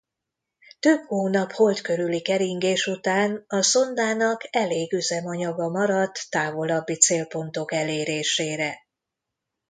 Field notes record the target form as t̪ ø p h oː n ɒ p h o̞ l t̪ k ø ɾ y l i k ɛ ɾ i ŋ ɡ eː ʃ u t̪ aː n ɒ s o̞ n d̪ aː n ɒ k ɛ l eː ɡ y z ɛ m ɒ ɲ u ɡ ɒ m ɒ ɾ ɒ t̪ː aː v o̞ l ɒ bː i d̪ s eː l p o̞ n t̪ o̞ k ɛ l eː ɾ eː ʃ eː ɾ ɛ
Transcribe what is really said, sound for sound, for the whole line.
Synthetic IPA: t̪ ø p h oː n ɒ p h o̞ l t̪ k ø ɾ y l i k ɛ ɾ i ŋ ɡ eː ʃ u t̪ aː n ɒ s o̞ n d̪ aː n ɒ k ɛ l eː ɡ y z ɛ m ɒ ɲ ɒ ɡ ɒ m ɒ ɾ ɒ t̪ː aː v o̞ l ɒ bː i t̪ s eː l p o̞ n t̪ o̞ k ɛ l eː ɾ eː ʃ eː ɾ ɛ